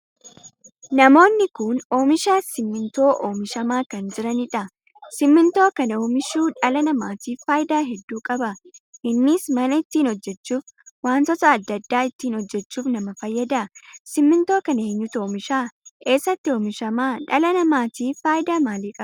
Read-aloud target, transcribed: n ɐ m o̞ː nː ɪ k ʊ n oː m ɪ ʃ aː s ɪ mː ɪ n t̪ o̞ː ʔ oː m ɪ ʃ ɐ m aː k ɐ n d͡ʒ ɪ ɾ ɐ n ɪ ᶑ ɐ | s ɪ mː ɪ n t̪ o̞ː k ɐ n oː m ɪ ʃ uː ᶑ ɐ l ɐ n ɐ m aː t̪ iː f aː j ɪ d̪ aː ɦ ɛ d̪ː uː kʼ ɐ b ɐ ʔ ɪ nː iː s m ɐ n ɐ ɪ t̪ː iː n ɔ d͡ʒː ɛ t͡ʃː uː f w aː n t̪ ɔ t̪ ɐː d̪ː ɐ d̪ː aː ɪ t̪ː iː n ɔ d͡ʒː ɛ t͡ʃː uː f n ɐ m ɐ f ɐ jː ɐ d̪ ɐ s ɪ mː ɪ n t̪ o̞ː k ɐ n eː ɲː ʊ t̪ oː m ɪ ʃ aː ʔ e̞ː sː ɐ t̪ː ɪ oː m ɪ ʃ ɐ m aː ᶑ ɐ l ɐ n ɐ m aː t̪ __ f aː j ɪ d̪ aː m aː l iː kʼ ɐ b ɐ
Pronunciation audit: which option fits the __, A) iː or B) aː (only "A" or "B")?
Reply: A